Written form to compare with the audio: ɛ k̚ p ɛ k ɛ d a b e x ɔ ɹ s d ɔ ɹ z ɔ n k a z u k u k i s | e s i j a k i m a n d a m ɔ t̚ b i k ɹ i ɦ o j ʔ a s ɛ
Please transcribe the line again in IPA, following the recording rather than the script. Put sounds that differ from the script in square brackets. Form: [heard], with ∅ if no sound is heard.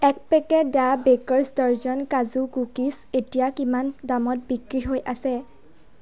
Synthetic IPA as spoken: ɛ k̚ p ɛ k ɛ d a b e [k] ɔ ɹ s d ɔ ɹ z ɔ n k a z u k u k i s | e [t] i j a k i m a n d a m ɔ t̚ b i k ɹ i ɦ o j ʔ a s ɛ

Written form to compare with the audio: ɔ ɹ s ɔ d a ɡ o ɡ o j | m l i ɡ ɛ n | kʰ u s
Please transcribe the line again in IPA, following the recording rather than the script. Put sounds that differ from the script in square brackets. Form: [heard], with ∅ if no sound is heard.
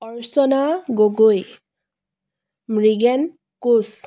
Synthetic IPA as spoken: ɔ ɹ s ɔ [n] a ɡ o ɡ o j | m [ɹ] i ɡ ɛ n | [k] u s

